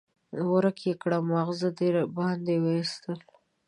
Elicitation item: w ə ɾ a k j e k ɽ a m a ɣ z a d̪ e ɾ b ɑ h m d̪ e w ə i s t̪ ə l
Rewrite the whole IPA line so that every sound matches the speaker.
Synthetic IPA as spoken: w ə ɾ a k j e k ɽ a m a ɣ z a d̪ e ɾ b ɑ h n d̪ e w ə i s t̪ ə l